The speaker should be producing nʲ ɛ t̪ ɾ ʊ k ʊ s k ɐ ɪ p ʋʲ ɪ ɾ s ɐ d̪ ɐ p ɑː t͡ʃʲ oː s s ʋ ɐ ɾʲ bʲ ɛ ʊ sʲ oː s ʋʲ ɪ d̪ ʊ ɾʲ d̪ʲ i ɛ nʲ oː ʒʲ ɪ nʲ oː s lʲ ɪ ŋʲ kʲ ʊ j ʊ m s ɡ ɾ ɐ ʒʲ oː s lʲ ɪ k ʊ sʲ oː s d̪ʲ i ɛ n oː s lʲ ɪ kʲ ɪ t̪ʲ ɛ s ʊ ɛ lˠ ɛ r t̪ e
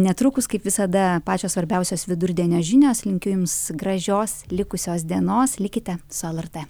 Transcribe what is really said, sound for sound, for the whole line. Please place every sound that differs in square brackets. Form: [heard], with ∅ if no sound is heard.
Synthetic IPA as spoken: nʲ ɛ t̪ ɾ ʊ k ʊ s k ɐ ɪ p ʋʲ ɪ [∅] s ɐ d̪ ɐ p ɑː t͡ʃʲ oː s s ʋ ɐ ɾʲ bʲ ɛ ʊ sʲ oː s ʋʲ ɪ d̪ ʊ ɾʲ d̪ʲ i ɛ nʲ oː ʒʲ ɪ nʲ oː s lʲ ɪ ŋʲ kʲ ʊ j ʊ m s ɡ ɾ ɐ ʒʲ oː s lʲ ɪ k ʊ sʲ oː s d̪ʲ i ɛ n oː s lʲ ɪ kʲ ɪ t̪ʲ ɛ s ʊ ɛ lˠ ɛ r t̪ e